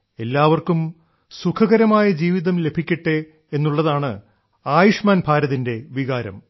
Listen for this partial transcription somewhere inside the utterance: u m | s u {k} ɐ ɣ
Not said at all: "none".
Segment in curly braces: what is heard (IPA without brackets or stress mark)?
kʰ